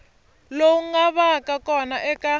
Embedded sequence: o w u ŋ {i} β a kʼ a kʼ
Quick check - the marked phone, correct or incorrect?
incorrect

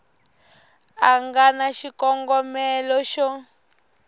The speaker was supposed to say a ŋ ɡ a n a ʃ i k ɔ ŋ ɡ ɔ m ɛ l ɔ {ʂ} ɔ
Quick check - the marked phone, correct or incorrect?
incorrect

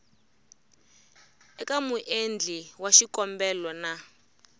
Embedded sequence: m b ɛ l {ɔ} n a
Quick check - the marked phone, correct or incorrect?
correct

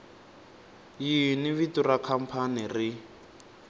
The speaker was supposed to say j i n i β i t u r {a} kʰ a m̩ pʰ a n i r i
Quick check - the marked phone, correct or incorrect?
correct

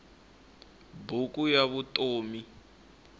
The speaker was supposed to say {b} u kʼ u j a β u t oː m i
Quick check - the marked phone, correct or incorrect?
correct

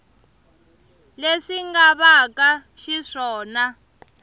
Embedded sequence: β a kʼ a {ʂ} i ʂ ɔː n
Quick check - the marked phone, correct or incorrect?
incorrect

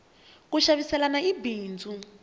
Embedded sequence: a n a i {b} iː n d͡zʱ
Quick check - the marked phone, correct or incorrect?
correct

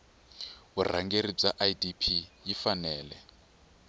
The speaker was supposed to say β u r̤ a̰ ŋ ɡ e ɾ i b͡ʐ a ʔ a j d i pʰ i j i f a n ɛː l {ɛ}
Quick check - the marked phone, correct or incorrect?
correct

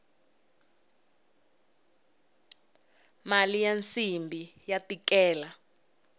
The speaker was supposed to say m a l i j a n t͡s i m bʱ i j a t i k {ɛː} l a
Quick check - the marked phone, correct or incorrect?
correct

